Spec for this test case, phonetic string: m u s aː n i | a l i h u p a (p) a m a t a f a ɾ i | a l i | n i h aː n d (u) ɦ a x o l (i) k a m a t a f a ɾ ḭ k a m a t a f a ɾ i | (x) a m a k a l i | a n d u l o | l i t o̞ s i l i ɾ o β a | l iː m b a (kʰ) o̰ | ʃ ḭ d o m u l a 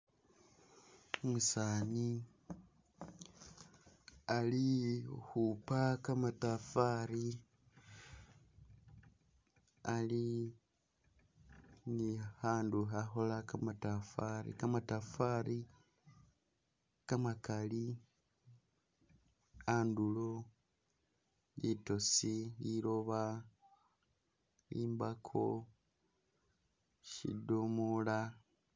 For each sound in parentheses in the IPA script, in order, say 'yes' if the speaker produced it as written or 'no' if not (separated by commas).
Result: no, yes, no, no, yes